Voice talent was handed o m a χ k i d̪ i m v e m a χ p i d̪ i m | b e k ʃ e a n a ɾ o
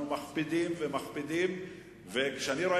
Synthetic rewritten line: u m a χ p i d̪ i m v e m a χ p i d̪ i m | v e k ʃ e a n i ɾ o